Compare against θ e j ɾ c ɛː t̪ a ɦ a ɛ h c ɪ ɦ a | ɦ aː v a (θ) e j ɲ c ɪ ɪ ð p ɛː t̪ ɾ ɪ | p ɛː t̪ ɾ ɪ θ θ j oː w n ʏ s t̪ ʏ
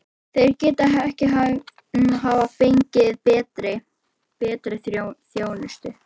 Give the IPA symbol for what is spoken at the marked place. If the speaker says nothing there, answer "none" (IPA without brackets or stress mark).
f